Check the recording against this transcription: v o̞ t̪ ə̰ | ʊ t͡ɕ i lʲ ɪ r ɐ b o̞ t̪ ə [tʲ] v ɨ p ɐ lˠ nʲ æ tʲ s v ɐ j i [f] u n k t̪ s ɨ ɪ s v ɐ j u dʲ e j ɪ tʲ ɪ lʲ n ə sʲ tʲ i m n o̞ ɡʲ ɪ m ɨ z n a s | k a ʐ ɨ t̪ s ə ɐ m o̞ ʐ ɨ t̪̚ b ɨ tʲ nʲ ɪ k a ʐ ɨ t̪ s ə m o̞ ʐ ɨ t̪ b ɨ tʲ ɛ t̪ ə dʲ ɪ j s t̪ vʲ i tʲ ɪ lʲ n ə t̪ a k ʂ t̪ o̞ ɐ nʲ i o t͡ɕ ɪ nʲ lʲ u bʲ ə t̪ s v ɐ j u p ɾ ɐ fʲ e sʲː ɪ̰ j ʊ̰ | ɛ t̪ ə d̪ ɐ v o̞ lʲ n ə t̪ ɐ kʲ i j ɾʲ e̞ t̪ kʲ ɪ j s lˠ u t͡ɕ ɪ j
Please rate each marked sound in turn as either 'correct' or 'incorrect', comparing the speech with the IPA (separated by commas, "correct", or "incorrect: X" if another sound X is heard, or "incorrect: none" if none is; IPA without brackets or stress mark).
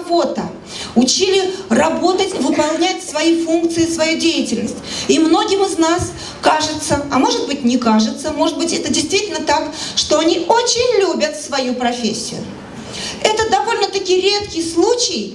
correct, correct